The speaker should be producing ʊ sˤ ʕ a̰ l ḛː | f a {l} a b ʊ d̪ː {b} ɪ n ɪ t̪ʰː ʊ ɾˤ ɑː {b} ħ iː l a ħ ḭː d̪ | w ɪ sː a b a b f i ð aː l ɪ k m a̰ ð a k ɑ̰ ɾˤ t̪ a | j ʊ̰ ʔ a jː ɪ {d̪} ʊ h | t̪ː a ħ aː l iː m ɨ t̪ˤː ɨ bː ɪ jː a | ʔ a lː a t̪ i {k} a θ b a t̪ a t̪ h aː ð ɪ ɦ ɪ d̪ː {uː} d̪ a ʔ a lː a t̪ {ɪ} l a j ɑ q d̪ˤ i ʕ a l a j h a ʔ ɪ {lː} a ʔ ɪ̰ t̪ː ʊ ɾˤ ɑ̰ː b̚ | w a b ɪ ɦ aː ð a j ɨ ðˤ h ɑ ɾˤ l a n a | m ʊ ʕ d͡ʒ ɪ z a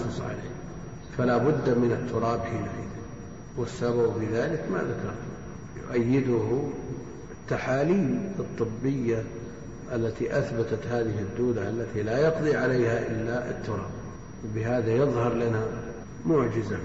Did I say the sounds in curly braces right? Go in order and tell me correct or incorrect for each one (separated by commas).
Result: correct, incorrect, correct, correct, incorrect, correct, incorrect, correct